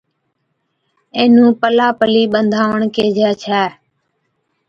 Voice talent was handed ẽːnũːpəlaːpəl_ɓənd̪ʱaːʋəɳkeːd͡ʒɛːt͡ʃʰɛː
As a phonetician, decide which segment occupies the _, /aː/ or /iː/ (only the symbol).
iː